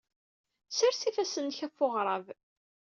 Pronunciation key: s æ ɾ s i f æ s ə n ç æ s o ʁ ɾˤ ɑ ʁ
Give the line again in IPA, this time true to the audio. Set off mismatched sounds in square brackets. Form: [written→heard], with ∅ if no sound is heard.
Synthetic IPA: s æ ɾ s i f æ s ə n ç æ [s→f] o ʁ ɾˤ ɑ [ʁ→v]